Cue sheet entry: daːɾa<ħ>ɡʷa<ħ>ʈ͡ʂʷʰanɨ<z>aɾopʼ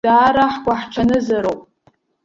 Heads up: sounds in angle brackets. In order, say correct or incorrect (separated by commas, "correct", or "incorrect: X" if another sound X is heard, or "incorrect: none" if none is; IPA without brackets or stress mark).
correct, correct, correct